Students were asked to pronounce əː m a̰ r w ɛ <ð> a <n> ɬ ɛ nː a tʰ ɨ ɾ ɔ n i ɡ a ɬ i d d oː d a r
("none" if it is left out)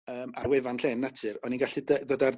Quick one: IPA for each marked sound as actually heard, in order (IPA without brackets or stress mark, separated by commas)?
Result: v, n